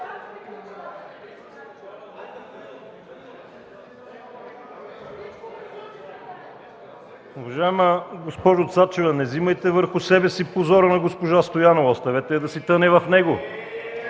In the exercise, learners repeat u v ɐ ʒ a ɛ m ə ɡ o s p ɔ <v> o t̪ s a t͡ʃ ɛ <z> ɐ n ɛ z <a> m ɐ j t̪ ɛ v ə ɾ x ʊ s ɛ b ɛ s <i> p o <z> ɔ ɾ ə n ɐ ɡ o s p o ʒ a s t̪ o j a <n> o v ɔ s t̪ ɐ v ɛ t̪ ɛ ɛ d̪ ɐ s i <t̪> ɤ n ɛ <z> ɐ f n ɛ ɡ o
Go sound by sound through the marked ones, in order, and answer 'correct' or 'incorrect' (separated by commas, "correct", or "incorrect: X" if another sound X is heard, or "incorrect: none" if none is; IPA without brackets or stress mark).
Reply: incorrect: ʒ, incorrect: v, incorrect: i, correct, correct, correct, correct, incorrect: v